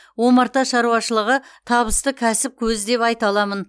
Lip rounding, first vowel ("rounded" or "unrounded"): rounded